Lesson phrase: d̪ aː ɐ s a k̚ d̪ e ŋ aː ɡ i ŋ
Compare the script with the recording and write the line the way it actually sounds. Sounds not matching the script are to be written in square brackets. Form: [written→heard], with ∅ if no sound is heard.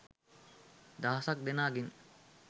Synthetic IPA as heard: d̪ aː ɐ s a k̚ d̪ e [ŋ→n] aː ɡ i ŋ